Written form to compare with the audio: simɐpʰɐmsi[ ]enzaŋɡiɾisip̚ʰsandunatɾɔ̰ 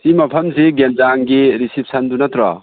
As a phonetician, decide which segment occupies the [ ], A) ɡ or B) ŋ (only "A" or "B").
A